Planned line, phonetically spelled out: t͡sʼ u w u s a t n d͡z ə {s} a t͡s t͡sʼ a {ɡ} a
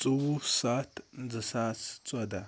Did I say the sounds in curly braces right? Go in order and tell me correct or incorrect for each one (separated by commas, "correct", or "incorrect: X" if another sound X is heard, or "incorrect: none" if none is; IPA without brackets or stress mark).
correct, incorrect: d